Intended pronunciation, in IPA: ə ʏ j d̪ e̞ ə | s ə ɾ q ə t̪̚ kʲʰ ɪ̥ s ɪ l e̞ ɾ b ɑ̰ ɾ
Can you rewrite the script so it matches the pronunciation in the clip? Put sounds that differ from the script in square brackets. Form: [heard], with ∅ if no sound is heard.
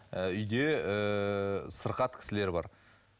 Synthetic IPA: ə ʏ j d̪ e̞ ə | s ə ɾ q [ɑ] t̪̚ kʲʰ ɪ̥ s ɪ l e̞ ɾ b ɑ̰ ɾ